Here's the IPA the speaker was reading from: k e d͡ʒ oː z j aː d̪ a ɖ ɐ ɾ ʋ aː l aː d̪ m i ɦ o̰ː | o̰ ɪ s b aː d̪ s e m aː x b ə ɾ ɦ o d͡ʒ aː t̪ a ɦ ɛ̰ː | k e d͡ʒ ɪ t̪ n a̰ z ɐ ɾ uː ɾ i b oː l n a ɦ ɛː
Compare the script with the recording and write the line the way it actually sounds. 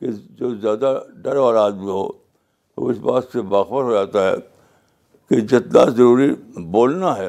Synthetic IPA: k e d͡ʒ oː z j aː d̪ a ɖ ɐ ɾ ʋ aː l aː d̪ m i ɦ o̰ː | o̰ ɪ s b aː t̪ s e b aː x b ə ɾ ɦ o d͡ʒ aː t̪ a ɦ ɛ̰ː | k e d͡ʒ ɪ t̪ n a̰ z ɐ ɾ uː ɾ i b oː l n a ɦ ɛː